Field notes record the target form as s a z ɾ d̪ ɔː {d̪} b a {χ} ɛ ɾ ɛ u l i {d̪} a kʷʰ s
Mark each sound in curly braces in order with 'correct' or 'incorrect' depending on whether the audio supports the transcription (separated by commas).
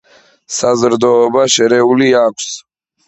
incorrect, incorrect, incorrect